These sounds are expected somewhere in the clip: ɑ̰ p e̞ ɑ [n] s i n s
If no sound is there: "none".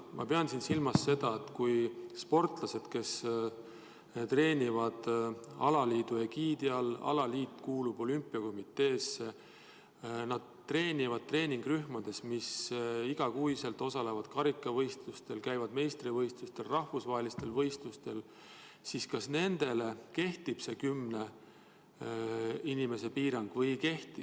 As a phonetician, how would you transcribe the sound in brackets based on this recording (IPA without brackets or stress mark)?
n